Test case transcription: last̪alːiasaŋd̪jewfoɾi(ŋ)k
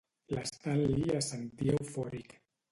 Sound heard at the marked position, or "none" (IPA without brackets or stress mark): none